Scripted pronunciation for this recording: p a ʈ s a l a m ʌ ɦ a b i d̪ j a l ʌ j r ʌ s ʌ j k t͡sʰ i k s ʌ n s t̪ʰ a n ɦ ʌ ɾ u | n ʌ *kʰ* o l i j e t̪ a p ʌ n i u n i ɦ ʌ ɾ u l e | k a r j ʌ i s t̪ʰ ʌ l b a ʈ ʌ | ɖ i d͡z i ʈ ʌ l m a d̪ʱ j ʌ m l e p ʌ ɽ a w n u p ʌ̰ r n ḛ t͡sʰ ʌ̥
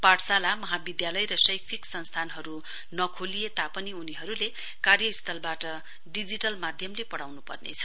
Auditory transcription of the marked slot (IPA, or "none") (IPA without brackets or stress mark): kʰ